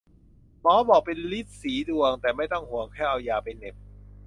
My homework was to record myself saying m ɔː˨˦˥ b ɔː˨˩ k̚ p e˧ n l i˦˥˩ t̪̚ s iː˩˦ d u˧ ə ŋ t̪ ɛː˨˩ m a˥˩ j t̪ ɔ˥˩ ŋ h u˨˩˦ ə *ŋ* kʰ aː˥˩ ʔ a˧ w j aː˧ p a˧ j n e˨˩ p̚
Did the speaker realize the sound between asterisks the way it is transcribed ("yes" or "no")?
yes